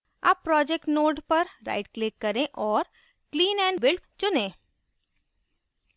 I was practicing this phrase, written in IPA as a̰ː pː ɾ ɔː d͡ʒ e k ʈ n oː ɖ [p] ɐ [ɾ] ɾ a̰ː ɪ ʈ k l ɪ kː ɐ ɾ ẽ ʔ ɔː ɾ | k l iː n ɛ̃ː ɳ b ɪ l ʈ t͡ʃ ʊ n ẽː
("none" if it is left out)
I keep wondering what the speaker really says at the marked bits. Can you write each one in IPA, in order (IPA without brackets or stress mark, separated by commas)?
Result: p, ɾ